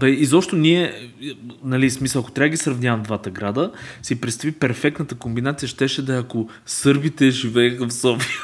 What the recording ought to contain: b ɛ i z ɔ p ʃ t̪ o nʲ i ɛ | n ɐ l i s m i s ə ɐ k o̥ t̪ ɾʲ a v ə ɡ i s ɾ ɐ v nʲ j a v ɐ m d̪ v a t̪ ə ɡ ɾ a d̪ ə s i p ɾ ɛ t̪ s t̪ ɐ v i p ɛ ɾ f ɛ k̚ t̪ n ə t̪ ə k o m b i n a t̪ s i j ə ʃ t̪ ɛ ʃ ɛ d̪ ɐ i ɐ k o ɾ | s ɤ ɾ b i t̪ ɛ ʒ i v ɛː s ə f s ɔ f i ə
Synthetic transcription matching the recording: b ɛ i z ɔ p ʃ t̪ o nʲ i ɛ | n ɐ l i s m i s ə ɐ k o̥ t̪ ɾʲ a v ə ɡ i s ɾ ɐ v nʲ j a v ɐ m d̪ v a t̪ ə ɡ ɾ a d̪ ə s i p ɾ ɛ t̪ s t̪ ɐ v i p ɛ ɾ f ɛ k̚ t̪ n ə t̪ ə k o m b i n a t̪ s i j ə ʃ t̪ ɛ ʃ ɛ d̪ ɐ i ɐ k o | s ɤ ɾ b i t̪ ɛ ʒ i v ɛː x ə f s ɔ f i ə